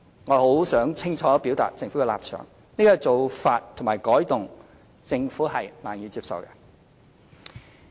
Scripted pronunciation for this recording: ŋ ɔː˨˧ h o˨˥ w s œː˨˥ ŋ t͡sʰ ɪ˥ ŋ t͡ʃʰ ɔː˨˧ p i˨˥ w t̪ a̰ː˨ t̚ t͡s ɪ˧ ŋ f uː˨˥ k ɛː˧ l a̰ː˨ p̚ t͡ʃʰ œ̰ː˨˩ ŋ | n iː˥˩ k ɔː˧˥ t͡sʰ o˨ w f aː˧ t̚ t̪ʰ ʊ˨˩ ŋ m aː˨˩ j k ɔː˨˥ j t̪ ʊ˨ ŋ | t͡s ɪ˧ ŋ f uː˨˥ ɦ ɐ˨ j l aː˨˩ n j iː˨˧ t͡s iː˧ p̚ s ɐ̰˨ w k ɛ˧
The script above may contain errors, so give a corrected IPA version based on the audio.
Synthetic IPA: ŋ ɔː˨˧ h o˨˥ w s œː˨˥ ŋ t͡sʰ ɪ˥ ŋ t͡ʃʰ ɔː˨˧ p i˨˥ w t̪ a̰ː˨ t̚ t͡s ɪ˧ ŋ f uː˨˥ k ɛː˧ l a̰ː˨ p̚ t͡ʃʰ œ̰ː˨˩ ŋ | n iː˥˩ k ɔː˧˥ t͡s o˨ w f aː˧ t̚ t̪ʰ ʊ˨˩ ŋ m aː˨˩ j k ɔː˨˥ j t̪ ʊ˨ ŋ | t͡s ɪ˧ ŋ f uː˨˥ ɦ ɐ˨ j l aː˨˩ n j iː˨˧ t͡s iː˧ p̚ s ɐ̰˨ w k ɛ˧